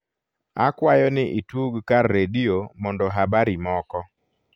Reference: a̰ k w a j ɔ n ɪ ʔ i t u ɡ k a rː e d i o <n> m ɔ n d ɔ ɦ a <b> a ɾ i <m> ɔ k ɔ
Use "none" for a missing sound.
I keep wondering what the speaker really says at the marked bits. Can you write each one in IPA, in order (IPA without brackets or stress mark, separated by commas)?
none, b, m